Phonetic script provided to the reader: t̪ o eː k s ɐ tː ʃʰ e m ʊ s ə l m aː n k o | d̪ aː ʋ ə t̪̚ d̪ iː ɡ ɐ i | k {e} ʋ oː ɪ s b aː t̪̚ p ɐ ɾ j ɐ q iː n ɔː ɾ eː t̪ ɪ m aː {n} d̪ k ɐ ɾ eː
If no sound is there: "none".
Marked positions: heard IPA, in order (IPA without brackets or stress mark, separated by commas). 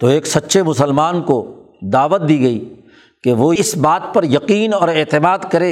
e, none